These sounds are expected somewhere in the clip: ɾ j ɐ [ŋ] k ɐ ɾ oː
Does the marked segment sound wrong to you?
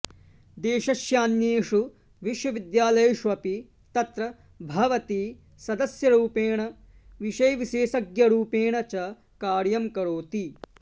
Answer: yes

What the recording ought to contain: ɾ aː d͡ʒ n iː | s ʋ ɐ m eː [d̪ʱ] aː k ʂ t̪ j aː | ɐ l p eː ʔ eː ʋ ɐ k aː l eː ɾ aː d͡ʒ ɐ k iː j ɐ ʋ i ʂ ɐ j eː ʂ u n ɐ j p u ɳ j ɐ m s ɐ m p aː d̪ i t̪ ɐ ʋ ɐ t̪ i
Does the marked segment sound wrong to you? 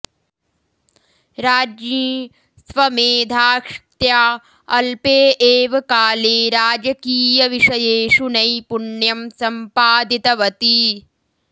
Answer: no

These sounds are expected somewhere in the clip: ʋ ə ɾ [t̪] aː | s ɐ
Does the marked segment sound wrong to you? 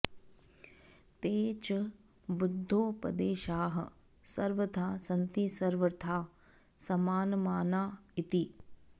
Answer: yes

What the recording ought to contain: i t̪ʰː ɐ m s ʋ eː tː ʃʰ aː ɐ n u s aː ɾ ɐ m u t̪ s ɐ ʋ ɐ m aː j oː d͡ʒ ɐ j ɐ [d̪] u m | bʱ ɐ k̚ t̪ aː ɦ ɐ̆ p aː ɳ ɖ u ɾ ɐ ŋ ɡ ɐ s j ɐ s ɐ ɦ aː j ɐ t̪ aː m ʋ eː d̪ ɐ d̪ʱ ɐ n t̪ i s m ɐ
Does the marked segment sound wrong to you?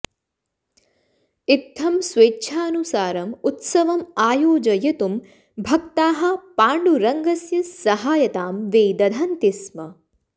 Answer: yes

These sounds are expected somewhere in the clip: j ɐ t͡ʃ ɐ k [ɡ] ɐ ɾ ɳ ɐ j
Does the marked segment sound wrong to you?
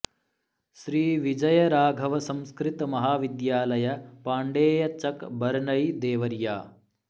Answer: yes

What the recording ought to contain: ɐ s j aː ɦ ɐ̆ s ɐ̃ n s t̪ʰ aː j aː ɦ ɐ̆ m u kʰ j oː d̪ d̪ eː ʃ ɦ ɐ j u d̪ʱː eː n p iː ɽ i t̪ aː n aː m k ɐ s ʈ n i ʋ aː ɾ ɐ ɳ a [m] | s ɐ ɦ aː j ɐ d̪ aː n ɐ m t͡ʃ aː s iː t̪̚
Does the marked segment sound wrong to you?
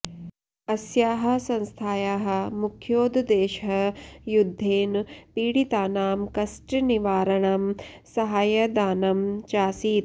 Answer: no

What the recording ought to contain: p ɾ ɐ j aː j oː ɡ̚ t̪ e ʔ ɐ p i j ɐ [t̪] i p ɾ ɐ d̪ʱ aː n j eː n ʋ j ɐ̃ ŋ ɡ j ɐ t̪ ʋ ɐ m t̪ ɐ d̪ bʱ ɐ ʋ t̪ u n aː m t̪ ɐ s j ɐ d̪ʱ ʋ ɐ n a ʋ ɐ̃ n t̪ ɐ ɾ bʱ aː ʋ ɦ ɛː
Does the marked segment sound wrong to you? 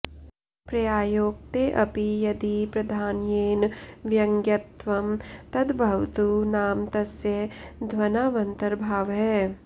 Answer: yes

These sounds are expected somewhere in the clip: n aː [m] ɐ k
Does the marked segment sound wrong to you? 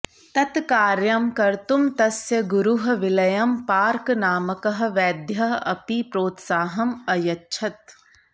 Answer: no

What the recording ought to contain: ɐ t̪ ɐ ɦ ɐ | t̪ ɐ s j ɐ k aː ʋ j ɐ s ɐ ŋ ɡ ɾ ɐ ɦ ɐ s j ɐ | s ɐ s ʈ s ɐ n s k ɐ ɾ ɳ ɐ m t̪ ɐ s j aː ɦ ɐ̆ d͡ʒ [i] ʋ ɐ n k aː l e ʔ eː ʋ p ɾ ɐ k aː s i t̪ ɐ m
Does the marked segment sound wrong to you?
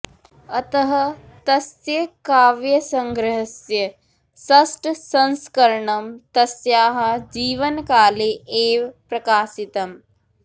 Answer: yes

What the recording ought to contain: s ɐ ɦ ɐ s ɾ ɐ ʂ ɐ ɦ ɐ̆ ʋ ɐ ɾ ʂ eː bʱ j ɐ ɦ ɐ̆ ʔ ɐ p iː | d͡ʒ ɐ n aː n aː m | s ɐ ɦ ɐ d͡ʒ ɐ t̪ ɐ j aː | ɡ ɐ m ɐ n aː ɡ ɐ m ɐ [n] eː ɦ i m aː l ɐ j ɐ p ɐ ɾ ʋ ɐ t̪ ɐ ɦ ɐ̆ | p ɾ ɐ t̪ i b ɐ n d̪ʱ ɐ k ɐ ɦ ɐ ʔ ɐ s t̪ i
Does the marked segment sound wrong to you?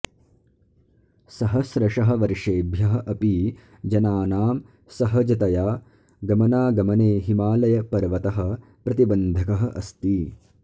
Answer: no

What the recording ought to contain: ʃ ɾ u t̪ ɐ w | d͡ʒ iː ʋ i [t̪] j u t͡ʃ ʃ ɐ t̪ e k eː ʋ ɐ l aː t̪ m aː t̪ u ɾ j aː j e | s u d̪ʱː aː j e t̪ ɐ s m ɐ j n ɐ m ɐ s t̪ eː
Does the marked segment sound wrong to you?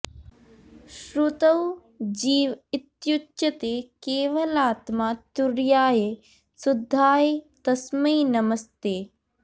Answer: no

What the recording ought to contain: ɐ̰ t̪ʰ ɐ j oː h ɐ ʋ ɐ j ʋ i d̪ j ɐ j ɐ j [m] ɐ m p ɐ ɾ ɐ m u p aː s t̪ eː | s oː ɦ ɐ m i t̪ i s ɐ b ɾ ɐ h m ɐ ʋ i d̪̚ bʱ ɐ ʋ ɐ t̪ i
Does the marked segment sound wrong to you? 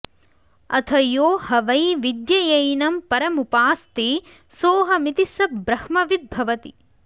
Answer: yes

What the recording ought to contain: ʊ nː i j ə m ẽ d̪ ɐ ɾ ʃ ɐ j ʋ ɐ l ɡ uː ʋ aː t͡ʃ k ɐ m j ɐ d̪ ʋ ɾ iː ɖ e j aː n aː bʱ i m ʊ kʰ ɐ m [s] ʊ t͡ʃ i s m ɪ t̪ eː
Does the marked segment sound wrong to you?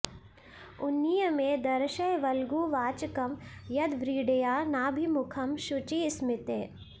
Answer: yes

